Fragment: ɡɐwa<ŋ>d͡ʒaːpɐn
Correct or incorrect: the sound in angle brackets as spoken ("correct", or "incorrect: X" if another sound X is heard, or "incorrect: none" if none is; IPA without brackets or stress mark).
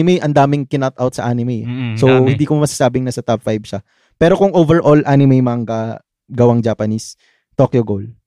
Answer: correct